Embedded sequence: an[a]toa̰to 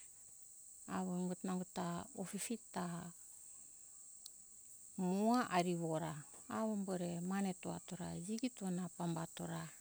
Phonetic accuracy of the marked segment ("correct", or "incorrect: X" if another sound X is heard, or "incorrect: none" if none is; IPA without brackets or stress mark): incorrect: e